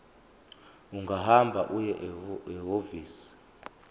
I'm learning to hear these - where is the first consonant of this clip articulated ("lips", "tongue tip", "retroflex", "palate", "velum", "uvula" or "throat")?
velum